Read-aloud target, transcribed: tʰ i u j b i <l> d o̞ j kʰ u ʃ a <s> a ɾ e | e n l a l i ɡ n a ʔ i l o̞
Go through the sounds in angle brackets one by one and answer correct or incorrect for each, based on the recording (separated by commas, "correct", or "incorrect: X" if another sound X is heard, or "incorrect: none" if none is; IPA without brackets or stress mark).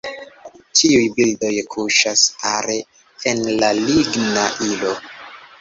correct, correct